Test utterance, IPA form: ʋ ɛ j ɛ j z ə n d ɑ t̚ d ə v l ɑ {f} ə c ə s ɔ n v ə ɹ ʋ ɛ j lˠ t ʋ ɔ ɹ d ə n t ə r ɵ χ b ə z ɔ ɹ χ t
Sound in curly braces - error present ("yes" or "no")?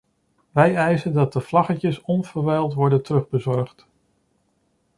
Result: yes